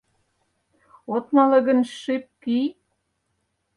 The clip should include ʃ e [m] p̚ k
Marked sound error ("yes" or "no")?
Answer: yes